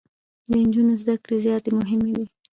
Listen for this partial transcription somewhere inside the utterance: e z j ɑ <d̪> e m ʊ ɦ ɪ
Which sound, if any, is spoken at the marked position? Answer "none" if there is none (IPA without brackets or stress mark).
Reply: t̪